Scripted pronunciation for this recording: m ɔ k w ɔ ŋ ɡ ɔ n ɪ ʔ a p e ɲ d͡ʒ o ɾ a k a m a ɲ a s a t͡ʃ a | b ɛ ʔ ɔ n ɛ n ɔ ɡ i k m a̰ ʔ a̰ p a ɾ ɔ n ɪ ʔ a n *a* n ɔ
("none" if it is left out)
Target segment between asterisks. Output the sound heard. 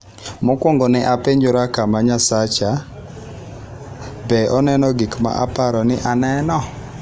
ɛ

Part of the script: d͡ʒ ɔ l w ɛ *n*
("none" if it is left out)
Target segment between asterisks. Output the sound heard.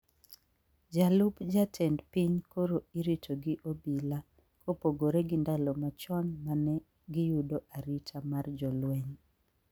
ɲ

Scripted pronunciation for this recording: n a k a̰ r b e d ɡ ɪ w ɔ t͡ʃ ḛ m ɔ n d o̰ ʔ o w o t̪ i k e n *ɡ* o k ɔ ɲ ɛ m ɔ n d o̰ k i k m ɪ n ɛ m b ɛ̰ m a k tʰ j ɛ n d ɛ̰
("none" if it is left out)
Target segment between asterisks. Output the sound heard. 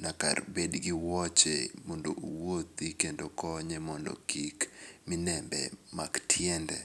d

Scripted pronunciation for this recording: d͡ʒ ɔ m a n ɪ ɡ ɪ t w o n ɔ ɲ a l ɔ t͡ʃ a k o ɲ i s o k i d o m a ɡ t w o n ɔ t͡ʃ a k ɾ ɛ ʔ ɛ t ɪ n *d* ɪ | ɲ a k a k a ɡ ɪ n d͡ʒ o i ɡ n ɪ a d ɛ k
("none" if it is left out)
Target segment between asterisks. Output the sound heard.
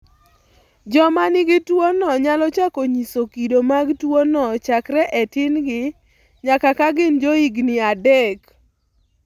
ɡ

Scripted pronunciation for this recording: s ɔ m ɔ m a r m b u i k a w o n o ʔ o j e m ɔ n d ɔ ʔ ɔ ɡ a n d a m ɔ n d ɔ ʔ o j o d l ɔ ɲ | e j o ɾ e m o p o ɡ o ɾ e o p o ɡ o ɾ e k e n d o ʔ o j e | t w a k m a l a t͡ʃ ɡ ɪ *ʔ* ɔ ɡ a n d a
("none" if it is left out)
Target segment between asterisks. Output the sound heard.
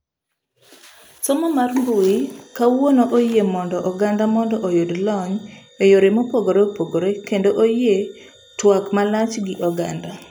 ʔ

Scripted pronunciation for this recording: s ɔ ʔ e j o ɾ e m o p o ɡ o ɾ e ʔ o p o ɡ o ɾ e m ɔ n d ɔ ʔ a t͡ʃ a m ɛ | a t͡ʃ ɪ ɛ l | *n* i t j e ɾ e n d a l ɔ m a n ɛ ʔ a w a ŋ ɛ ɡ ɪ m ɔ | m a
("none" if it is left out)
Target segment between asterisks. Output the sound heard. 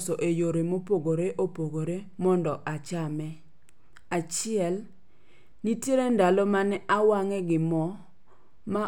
n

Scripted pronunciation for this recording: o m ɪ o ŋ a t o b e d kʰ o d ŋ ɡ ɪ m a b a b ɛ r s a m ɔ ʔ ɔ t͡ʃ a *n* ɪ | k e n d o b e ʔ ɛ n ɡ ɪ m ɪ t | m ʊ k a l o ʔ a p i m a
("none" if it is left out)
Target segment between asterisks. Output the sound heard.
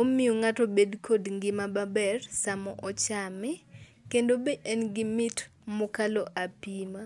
m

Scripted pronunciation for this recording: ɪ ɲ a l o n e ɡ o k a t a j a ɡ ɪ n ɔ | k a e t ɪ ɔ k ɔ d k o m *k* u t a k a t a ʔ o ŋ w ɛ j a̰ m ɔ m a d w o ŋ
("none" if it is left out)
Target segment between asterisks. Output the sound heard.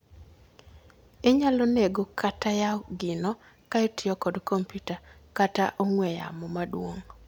p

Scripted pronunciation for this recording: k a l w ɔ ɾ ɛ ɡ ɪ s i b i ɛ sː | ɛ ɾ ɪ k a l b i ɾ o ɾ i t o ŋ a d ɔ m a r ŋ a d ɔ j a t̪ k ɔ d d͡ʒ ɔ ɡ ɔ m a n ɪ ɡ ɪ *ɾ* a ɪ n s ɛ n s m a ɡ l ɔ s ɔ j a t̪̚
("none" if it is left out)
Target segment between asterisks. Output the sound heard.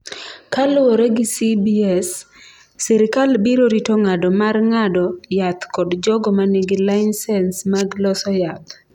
l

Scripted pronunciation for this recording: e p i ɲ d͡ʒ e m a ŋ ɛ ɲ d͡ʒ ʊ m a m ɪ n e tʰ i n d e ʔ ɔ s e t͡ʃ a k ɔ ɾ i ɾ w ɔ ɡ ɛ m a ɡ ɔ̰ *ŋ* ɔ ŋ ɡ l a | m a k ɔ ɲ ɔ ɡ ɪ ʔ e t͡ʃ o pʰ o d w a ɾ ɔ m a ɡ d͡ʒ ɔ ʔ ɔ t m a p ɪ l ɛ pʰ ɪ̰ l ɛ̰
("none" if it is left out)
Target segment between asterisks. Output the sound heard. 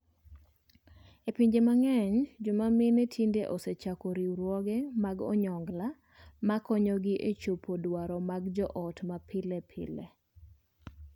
ɲ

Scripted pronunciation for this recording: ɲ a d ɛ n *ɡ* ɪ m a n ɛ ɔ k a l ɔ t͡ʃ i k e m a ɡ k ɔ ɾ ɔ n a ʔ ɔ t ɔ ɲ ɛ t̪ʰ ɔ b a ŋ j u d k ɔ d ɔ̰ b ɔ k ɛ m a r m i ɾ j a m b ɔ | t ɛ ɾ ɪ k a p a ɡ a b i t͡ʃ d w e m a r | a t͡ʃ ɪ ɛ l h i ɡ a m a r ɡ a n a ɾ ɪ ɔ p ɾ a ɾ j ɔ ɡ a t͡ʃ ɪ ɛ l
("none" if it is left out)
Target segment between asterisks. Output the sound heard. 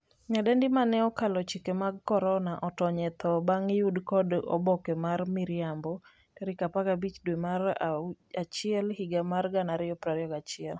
d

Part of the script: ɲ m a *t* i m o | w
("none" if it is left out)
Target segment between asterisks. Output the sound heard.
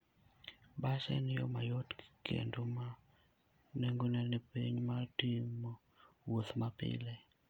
t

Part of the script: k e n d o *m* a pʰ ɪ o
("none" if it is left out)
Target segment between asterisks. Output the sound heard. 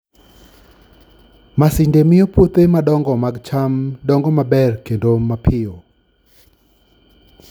m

